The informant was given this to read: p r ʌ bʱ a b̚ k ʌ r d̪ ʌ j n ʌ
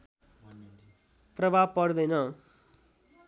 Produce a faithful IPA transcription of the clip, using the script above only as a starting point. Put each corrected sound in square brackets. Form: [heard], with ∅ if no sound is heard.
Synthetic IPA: p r ʌ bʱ a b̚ [p] ʌ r d̪ ʌ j n ʌ